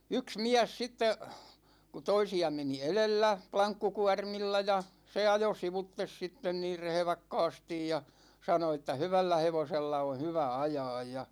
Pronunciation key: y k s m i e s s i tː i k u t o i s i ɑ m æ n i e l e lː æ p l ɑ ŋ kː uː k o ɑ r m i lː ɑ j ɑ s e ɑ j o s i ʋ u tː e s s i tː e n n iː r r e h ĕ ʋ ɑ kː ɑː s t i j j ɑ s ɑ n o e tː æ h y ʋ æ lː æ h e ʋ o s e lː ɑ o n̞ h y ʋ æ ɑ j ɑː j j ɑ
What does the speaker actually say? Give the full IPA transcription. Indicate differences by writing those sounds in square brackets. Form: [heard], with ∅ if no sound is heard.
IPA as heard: y k s m i [æ] s s i tː [e] k u t o i s i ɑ m [e] n i e l e lː æ p l ɑ ŋ kː [u] k [u] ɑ r m i lː ɑ j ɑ s e ɑ j o s i ʋ u tː e s s i tː e n n iː r r e h ĕ ʋ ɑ kː ɑː s t i j j ɑ s ɑ n o e tː æ h y ʋ æ lː æ h e ʋ o s e lː ɑ o n̞ h y ʋ æ ɑ j ɑː j j ɑ